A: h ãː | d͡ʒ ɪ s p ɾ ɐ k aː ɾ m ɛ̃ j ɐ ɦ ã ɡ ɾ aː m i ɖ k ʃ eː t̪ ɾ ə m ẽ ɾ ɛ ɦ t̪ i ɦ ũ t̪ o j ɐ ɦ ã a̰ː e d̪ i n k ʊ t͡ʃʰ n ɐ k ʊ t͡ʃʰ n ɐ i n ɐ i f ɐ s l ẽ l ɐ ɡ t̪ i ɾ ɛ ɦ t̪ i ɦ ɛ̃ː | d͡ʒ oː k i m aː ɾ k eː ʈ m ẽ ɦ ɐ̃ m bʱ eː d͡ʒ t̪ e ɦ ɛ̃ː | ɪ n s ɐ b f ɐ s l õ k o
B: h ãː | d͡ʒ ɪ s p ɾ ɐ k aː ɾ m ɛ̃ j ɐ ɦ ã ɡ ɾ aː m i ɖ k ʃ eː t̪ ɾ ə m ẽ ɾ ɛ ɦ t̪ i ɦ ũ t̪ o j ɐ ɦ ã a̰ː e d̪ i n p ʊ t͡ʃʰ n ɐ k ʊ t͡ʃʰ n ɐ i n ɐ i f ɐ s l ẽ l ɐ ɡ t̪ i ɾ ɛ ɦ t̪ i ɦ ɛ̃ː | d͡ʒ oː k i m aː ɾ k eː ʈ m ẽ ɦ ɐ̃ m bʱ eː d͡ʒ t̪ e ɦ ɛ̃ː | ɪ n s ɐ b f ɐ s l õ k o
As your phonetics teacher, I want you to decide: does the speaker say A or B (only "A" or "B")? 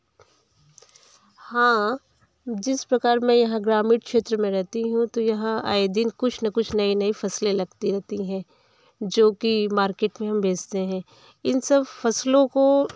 A